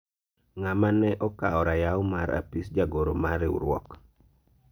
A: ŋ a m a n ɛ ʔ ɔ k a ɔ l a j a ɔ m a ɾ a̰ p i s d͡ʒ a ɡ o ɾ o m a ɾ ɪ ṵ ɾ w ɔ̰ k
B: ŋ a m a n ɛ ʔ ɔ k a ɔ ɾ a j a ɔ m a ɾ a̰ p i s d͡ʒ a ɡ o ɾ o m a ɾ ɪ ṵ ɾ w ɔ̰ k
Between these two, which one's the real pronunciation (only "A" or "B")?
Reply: B